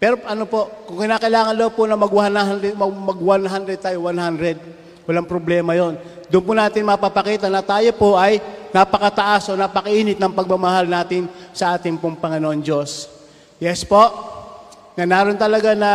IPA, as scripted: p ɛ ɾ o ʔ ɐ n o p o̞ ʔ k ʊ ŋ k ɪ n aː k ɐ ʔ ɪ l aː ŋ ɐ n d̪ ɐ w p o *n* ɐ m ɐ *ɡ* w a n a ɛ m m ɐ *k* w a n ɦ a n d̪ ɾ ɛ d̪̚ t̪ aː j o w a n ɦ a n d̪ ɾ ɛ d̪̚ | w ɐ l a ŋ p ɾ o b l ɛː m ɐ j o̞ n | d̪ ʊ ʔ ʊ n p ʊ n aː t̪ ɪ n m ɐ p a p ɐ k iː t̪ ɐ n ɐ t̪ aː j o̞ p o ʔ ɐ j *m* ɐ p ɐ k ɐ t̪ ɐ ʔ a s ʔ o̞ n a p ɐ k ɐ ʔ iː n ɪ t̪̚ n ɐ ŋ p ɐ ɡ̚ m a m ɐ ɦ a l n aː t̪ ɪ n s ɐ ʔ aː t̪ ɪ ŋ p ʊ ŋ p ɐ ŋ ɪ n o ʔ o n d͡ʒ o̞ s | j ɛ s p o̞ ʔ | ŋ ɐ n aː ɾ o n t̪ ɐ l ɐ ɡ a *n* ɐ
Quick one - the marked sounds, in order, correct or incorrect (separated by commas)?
correct, correct, incorrect, incorrect, correct